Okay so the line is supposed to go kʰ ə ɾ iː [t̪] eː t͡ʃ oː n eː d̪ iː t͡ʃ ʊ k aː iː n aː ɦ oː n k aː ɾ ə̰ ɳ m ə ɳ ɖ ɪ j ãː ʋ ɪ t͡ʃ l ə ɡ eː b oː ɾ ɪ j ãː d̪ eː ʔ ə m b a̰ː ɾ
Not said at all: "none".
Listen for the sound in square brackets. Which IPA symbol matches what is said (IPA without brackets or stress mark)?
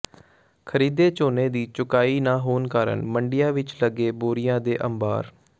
d̪